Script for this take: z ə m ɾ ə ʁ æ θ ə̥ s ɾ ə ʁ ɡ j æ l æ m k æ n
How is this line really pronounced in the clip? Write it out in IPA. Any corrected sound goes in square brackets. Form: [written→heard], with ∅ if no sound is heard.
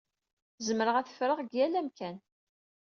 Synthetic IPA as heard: z ə m ɾ ə ʁ æ θ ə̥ [s→f] ɾ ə ʁ ɡ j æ l æ m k æ n